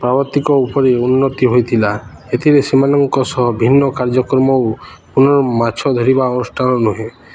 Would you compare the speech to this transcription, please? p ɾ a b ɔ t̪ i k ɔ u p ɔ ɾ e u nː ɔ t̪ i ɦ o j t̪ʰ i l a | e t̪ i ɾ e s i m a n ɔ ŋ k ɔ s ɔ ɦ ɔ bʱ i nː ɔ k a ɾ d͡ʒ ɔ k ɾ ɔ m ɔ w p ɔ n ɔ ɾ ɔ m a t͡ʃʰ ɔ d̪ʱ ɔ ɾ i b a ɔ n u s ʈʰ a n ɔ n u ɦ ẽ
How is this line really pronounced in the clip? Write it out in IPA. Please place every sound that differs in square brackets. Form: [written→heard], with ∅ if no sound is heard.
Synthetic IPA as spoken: p ɾ a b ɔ t̪ i k ɔ u p ɔ ɾ e u nː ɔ t̪ i ɦ o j t̪ʰ i l a | e [t̪→t̪ʰ] i ɾ e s i m a n ɔ ŋ k ɔ s ɔ ɦ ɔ bʱ i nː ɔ k a ɾ d͡ʒ ɔ k ɾ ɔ m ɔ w p [ɔ→u] n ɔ ɾ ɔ m a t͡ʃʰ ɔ d̪ʱ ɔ ɾ i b a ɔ n u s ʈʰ a n ɔ n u ɦ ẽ